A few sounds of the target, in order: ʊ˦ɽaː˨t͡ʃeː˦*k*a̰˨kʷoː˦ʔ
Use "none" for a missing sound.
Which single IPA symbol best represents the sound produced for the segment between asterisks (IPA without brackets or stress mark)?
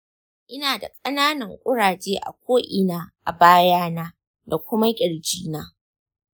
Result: ʔ